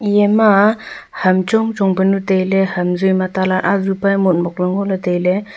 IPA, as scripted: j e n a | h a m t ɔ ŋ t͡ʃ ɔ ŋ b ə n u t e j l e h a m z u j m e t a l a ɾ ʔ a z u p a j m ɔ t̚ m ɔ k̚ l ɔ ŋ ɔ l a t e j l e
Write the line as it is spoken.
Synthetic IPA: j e m a | h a m t͡ʃ ɔ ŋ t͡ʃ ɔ ŋ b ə n u t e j l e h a m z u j m a t a l a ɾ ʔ a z u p a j m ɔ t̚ m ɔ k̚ l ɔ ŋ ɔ l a t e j l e